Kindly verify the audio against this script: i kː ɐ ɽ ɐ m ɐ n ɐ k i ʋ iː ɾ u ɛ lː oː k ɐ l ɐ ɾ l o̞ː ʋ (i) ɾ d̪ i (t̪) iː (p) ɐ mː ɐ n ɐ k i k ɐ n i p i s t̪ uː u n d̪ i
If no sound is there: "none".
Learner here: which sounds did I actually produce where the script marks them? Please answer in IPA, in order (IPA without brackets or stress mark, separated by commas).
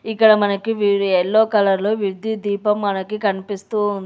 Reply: i, d̪, p